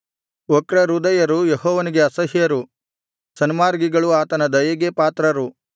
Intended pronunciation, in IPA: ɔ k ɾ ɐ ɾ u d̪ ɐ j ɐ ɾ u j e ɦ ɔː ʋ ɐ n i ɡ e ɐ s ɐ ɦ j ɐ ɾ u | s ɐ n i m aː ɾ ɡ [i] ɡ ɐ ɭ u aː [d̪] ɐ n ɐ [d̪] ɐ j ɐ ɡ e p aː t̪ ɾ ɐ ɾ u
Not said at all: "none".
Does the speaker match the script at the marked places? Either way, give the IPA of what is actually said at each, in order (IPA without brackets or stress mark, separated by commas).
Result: i, t̪, d̪